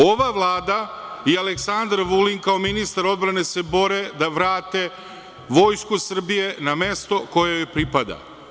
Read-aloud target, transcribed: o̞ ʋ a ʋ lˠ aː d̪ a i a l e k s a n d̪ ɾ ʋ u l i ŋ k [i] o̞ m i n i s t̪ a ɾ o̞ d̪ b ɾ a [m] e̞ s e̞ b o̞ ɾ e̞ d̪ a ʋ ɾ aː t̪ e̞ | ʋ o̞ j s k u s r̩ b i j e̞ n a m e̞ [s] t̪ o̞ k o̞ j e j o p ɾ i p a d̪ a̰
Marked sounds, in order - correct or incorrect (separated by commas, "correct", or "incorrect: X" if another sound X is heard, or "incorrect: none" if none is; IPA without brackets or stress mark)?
incorrect: a, incorrect: n, correct